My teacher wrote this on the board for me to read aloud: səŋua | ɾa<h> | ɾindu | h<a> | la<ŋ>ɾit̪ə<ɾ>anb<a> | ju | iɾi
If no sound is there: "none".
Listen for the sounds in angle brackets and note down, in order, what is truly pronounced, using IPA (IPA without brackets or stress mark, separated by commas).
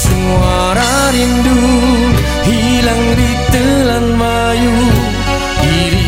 none, i, ŋ, l, a